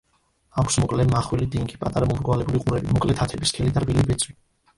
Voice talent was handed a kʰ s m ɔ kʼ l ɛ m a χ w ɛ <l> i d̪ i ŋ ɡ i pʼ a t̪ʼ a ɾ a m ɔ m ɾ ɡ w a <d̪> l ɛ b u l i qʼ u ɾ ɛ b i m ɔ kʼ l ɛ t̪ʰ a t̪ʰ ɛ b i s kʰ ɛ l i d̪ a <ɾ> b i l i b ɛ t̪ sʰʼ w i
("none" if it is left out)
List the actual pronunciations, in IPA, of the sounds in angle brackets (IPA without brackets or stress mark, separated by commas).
l, none, ɾ